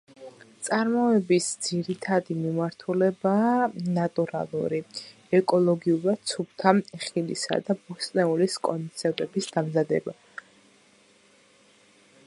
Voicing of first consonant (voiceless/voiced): voiceless